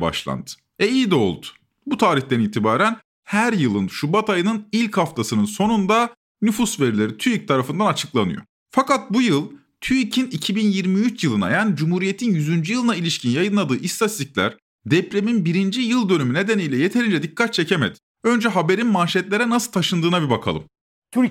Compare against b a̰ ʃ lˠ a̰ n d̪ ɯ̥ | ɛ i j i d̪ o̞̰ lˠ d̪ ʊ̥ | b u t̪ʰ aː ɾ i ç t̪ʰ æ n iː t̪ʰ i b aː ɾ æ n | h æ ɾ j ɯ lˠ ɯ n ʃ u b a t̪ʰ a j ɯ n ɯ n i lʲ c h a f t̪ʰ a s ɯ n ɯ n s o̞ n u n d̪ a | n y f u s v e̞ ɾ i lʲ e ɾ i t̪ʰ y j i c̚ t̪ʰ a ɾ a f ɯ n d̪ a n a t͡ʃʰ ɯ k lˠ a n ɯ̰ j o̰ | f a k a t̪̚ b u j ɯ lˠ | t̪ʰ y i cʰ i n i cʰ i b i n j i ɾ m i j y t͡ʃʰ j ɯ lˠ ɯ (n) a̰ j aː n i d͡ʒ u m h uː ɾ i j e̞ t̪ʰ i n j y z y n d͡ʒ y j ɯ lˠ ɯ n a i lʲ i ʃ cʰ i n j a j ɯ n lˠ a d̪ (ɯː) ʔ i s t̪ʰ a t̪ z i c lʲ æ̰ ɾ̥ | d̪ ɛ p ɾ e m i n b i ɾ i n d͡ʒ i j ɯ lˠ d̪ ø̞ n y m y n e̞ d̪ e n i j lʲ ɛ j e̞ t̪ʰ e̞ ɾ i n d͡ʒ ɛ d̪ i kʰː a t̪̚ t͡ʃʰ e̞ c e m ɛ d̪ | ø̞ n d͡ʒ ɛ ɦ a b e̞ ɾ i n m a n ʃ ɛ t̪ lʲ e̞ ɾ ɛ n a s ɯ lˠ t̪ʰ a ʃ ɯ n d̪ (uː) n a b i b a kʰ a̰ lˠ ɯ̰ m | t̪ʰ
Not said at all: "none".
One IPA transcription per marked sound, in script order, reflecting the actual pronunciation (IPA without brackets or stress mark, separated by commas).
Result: n, ɯː, ɯː